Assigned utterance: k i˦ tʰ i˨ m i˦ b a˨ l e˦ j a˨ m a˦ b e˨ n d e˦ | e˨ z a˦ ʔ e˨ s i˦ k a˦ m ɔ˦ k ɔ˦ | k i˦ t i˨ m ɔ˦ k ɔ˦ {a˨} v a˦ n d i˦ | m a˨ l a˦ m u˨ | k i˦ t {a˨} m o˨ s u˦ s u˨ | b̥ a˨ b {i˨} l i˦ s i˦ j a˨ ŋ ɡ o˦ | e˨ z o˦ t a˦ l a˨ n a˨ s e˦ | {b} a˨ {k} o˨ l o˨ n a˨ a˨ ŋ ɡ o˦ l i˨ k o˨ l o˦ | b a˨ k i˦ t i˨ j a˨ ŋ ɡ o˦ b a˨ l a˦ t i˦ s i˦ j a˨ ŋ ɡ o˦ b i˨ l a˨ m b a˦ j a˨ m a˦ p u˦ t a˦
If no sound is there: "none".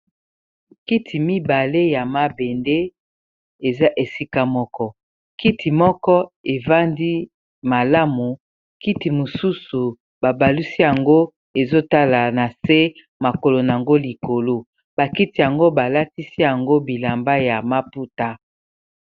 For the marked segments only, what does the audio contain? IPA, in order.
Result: e˨, i˨, a˨, m, k

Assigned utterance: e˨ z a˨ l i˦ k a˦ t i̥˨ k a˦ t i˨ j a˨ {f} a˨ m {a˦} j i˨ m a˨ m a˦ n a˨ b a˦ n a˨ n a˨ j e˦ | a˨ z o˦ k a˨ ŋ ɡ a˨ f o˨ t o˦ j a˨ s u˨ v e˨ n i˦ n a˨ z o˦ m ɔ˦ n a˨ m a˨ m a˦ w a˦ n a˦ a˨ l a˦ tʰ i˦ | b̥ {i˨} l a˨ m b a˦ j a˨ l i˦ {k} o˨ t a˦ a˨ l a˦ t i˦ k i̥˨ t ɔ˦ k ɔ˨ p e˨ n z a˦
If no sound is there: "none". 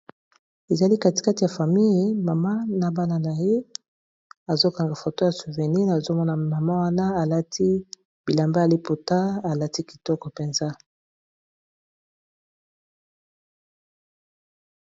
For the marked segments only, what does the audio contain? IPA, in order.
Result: f, i˦, i˨, p

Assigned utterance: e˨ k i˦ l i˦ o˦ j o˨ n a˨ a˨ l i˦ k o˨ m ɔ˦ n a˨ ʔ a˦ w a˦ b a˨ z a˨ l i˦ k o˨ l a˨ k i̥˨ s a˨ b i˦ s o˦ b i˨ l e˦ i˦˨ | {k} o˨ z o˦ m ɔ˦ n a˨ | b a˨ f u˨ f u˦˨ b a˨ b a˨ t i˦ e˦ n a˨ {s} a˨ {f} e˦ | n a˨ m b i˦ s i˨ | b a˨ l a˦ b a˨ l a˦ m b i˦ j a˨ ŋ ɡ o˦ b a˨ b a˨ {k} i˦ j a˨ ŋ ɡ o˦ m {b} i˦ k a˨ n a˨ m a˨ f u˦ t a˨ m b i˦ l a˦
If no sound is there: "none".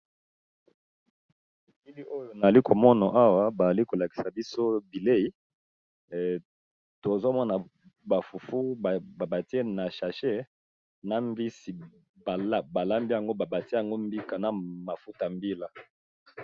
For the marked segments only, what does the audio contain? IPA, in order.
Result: t, ʃ, ʃ, t, b

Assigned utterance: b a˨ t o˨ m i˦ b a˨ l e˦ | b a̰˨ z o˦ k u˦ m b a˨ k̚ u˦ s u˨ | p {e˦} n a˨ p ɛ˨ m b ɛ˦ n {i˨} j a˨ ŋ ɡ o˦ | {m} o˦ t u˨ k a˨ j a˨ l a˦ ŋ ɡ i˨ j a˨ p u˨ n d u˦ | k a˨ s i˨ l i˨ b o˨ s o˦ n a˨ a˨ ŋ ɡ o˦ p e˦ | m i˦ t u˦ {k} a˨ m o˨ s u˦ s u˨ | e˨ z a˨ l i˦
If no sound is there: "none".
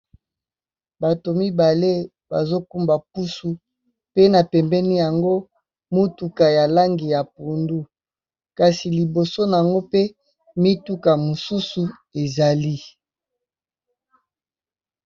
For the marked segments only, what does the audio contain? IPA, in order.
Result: e˦, i˦, m, k

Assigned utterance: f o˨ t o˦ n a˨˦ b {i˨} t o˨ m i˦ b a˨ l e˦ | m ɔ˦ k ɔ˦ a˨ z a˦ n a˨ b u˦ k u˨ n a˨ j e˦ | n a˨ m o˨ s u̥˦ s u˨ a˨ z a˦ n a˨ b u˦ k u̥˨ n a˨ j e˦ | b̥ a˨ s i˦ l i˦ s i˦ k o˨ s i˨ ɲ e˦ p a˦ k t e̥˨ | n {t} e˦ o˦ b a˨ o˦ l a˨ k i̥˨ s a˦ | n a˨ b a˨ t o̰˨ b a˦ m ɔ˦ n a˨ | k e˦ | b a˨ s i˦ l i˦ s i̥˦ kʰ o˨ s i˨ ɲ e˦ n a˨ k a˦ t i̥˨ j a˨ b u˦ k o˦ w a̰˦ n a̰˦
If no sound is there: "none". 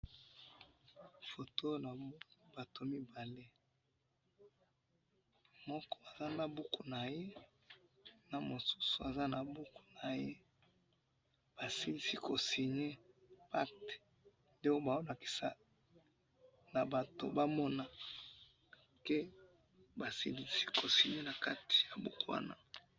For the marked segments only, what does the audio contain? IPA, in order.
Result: a˨, d

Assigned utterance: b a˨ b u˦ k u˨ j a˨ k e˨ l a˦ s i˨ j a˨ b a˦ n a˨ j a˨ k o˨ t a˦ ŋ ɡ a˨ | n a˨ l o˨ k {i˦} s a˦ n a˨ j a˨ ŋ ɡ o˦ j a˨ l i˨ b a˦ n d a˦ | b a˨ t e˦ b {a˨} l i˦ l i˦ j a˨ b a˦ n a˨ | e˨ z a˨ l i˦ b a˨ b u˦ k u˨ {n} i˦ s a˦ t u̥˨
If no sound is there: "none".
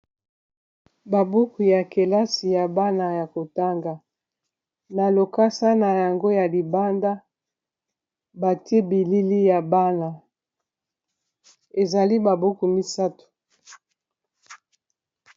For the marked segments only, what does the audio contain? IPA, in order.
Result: a˦, i˨, m

